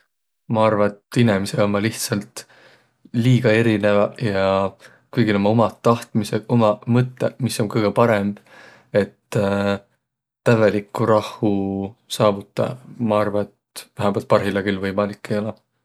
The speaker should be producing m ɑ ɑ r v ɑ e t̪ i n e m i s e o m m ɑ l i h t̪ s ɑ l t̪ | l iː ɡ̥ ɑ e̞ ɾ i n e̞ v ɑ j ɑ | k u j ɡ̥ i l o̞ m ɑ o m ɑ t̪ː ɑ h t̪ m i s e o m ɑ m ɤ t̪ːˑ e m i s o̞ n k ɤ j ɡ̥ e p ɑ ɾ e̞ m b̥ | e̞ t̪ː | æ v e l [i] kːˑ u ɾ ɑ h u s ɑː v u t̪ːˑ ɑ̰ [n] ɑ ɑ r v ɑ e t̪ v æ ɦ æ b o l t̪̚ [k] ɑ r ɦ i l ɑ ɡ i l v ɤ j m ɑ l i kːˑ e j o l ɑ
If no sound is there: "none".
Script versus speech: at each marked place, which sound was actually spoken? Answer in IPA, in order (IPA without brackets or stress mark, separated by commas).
i, m, p